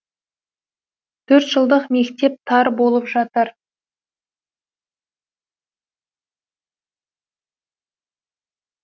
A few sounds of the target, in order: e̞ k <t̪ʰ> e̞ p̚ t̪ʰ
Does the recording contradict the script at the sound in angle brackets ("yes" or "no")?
yes